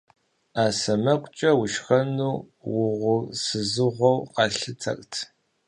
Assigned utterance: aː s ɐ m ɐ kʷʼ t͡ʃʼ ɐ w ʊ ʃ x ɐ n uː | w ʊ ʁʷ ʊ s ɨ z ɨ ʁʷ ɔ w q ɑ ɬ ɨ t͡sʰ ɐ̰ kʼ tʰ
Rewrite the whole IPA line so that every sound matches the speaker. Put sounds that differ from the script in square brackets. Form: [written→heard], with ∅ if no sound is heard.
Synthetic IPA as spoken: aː s ɐ m ɐ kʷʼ t͡ʃʼ ɐ w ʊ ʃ x ɐ n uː | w ʊ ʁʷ ʊ s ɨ z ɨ ʁʷ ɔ w q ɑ ɬ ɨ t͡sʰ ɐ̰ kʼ tʰ

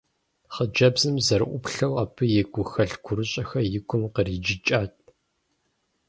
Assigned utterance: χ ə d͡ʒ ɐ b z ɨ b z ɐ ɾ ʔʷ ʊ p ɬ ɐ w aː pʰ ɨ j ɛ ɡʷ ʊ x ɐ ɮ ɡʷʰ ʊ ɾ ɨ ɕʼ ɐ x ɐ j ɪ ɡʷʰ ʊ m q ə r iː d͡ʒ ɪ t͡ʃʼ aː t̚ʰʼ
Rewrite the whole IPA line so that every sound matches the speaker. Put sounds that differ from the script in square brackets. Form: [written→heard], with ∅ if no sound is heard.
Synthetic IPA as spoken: χ ə d͡ʒ ɐ b z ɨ [b→m] z ɐ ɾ ʔʷ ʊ p ɬ ɐ w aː pʰ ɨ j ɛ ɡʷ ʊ x ɐ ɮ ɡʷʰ ʊ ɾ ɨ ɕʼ ɐ x ɐ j ɪ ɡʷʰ ʊ m q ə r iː d͡ʒ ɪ t͡ʃʼ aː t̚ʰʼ

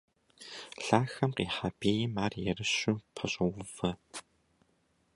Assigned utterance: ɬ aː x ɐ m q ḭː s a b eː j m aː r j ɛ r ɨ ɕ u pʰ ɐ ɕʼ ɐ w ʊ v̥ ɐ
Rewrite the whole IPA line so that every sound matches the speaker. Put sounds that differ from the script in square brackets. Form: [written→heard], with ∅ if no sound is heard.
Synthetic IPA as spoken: ɬ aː x ɐ m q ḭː [s→ħ] a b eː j m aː r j ɛ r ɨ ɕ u pʰ ɐ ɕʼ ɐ w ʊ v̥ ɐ

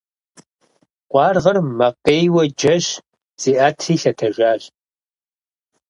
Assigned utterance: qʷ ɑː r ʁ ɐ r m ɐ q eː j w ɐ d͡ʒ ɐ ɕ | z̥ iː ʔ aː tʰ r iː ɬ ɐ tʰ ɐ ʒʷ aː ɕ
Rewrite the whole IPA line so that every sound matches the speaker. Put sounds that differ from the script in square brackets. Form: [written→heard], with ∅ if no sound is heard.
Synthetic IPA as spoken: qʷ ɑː r ʁ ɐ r m ɐ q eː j w ɐ d͡ʒ ɐ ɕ | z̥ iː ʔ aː tʰ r iː ɬ ɐ tʰ ɐ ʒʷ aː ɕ

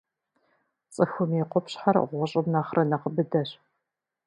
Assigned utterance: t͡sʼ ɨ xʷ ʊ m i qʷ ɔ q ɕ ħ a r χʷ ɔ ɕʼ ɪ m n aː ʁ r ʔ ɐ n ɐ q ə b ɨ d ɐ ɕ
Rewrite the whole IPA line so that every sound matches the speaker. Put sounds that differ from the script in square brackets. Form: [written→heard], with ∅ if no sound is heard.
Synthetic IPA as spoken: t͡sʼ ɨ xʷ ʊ m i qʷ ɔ [q→p] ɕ ħ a r [χʷ→ʁʷ] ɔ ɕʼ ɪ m n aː [ʁ→χ] r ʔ ɐ n ɐ q ə b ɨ d ɐ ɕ

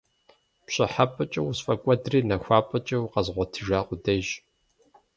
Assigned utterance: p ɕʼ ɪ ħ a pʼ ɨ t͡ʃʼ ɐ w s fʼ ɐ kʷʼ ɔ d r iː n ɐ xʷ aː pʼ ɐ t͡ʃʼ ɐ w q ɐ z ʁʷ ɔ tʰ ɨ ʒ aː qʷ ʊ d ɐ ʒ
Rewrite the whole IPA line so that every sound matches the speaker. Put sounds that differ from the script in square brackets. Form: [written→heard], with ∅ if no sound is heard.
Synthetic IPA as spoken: p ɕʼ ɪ ħ a pʼ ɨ t͡ʃʼ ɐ w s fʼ ɐ kʷʼ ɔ d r iː n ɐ xʷ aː pʼ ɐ t͡ʃʼ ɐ w q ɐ z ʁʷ ɔ tʰ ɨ ʒ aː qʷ ʊ d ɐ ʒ

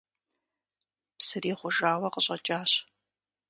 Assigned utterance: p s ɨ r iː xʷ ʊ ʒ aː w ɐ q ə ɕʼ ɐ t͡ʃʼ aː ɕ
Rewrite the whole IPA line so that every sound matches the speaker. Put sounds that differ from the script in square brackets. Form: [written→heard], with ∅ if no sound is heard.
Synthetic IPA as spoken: p s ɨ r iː [xʷ→χʷ] ʊ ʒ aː w ɐ q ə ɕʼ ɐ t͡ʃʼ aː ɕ

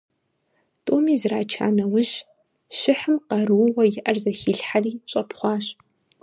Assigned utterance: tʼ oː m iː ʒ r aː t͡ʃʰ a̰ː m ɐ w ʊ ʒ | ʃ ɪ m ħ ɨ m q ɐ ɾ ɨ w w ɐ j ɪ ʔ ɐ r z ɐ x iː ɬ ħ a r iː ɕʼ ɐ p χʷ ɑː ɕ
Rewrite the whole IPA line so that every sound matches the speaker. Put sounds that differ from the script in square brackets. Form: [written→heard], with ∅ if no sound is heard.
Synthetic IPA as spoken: tʼ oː m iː [ʒ→z] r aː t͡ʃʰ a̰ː [m→n] ɐ w ʊ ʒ | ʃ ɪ [m→∅] ħ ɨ m q ɐ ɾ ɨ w w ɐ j ɪ ʔ ɐ r z ɐ x iː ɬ ħ a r iː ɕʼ ɐ p χʷ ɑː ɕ

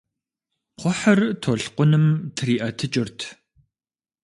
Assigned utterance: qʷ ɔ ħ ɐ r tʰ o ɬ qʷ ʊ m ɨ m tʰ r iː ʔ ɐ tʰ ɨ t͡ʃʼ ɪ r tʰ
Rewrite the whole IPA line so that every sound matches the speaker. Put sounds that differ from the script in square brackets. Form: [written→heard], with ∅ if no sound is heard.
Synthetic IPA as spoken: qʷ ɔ ħ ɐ r tʰ o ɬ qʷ ʊ [m→n] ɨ m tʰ r iː ʔ ɐ tʰ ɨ t͡ʃʼ ɪ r tʰ

